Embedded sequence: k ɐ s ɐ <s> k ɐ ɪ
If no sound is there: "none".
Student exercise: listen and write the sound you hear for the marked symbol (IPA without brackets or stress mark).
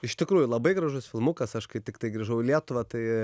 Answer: ʃ